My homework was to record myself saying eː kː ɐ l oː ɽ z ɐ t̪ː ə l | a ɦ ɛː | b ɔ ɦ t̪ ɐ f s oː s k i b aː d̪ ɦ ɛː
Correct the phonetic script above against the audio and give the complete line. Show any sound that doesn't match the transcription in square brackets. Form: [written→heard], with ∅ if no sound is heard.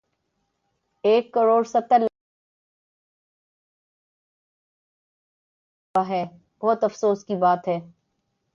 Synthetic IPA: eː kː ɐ [l→ɾ] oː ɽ [z→s] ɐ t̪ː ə l | a ɦ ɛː | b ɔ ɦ t̪ ɐ f s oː s k i b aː [d̪→t̪] ɦ ɛː